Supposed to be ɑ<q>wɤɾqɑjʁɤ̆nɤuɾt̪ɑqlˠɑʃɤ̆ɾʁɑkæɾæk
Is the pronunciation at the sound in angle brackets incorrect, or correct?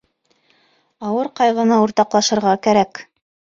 incorrect